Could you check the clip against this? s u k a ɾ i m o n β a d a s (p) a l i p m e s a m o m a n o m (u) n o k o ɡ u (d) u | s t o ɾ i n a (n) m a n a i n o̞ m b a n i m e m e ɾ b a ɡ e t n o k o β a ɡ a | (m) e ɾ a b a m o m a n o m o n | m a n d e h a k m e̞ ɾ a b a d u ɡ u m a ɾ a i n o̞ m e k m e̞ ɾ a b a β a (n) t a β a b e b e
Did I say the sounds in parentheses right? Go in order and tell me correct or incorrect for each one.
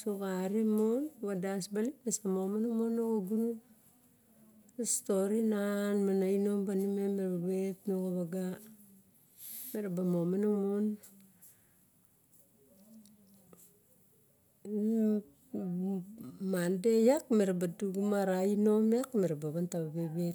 incorrect: b, incorrect: o, incorrect: n, correct, correct, correct

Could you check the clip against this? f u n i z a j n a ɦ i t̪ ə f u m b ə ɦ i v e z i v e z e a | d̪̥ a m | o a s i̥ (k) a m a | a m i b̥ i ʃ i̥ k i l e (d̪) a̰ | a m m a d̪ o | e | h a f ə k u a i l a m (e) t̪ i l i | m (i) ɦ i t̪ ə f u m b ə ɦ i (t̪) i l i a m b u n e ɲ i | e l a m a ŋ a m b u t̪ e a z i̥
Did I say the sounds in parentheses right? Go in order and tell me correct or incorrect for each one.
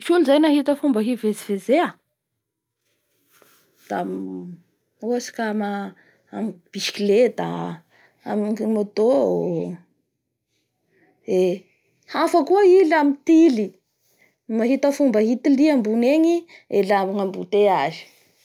correct, correct, incorrect: i, incorrect: a, correct

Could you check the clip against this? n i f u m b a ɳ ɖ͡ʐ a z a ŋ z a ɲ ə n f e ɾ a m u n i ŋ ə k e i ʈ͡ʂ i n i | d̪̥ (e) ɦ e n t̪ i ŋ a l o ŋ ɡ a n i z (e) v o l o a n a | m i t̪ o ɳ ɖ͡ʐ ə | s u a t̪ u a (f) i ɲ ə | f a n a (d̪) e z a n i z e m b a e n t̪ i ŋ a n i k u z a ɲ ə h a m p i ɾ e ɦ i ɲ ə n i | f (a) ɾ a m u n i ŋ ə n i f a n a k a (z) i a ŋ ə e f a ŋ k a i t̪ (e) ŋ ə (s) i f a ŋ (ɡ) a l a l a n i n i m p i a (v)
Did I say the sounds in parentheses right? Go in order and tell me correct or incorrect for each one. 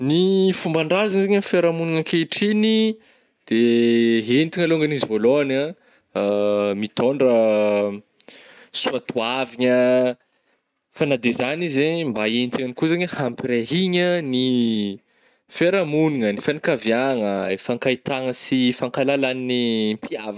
correct, incorrect: i, incorrect: v, correct, incorrect: e, incorrect: v, incorrect: a, correct, incorrect: k, correct

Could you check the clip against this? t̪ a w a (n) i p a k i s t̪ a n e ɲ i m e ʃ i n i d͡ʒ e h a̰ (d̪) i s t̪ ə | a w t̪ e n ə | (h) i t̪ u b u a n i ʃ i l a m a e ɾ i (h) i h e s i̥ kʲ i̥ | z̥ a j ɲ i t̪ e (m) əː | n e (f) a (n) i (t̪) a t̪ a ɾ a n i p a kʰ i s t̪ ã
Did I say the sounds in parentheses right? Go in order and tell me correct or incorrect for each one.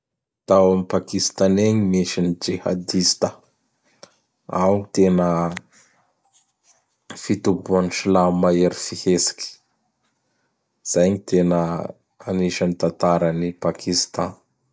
incorrect: m, correct, incorrect: f, incorrect: f, incorrect: n, incorrect: ʃ, correct, correct

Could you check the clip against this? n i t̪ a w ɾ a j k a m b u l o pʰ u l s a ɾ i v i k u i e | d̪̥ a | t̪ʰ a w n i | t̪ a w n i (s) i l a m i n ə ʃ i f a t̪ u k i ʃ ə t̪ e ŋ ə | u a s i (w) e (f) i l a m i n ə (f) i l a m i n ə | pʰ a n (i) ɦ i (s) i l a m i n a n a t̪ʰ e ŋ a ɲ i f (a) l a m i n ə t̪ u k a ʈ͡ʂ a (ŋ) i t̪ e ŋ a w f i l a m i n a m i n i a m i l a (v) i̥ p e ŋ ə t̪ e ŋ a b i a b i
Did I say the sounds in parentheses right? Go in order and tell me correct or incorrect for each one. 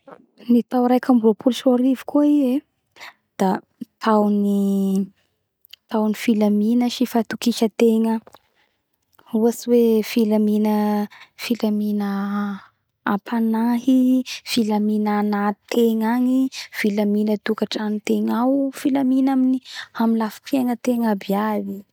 incorrect: f, correct, correct, correct, incorrect: a, incorrect: f, incorrect: i, incorrect: n, incorrect: f

